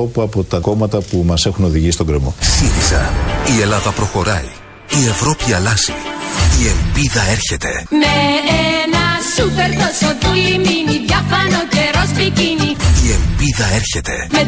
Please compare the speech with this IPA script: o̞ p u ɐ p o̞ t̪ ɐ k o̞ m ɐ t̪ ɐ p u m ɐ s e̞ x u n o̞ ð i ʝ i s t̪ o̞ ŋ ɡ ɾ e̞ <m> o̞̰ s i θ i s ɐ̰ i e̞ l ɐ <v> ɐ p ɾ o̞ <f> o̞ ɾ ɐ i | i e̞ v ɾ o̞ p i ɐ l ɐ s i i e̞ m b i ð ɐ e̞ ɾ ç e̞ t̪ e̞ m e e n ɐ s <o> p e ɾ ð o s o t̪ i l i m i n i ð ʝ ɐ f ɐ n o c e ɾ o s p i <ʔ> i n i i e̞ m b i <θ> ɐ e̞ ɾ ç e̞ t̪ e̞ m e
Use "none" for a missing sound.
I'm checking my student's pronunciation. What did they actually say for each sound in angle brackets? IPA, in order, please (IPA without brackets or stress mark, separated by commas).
m, ð, x, u, c, ð